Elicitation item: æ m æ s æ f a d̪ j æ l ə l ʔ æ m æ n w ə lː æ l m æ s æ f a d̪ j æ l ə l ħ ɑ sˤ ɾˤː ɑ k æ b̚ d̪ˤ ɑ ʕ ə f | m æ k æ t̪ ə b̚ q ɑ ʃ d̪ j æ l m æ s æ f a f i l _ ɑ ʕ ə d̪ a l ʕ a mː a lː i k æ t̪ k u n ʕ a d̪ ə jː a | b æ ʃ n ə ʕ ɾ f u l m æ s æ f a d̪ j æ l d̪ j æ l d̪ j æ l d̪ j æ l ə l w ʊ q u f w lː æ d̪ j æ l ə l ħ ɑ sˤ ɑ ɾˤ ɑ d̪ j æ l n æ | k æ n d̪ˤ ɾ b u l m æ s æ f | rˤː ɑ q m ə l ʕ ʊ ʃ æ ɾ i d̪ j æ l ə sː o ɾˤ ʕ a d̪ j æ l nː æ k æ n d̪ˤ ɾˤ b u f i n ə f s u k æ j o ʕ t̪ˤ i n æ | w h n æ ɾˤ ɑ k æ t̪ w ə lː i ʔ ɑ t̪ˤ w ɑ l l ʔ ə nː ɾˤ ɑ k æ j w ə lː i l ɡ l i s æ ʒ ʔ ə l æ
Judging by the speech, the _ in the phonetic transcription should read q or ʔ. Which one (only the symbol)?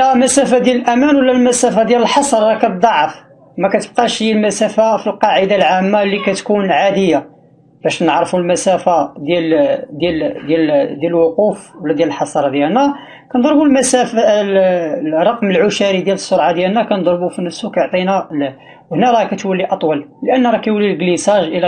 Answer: q